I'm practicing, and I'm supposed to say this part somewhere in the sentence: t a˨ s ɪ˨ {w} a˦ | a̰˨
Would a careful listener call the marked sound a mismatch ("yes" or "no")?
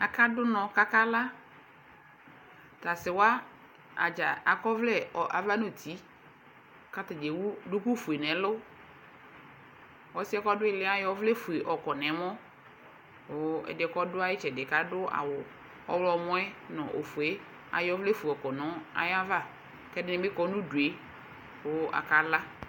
no